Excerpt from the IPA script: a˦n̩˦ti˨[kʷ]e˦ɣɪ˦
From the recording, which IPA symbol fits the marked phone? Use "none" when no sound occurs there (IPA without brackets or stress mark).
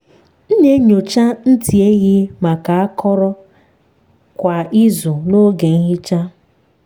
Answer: none